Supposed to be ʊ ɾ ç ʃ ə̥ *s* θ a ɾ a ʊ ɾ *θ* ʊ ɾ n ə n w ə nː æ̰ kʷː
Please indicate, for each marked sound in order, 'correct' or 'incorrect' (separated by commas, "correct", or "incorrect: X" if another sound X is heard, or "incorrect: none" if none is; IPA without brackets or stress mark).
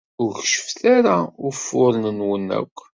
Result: incorrect: f, incorrect: f